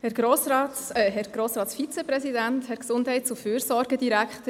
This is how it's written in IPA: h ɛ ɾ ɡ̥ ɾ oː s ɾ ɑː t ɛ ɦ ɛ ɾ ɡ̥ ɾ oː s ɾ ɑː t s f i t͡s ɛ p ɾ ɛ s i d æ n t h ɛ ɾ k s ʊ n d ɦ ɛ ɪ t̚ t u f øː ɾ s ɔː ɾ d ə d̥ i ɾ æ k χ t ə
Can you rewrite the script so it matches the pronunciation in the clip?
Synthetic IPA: h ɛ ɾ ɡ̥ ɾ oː s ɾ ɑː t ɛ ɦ ɛ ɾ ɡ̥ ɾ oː s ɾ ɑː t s f i t͡s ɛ p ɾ ɛ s i d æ n t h ɛ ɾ k s ʊ n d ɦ ɛ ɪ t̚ t͡s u f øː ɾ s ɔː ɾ ɡ ə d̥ i ɾ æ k χ t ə